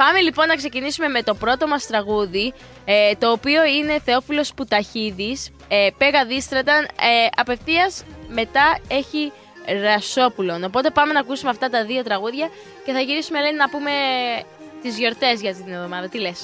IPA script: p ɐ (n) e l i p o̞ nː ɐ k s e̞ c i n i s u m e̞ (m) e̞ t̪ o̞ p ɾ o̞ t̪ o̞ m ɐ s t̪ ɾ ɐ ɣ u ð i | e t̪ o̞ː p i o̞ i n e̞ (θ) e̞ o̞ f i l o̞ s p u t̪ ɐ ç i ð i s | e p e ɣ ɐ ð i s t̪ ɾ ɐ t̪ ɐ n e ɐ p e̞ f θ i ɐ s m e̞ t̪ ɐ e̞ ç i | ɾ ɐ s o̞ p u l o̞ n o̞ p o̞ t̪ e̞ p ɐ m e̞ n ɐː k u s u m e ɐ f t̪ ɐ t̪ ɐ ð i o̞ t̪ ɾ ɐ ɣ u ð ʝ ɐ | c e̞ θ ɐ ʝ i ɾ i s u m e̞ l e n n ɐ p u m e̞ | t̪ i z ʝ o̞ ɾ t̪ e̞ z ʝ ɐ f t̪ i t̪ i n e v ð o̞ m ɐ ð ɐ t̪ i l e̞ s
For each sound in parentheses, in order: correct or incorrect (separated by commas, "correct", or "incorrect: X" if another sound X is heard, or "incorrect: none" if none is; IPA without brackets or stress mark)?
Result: incorrect: m, correct, correct